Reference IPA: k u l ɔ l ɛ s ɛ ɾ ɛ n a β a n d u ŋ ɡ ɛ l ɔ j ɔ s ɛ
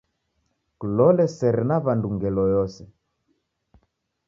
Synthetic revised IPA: k u l ɔ l ɛ s ɛ ɾ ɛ n a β a n d u ŋ ɡ ɛ l ɔ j ɔ s ɛ